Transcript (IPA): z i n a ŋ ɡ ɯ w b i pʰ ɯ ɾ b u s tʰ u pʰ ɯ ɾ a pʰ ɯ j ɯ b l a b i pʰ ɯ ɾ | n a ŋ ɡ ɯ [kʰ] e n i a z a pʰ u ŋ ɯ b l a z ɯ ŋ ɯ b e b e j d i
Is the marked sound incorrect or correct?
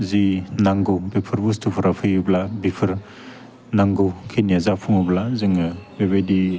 correct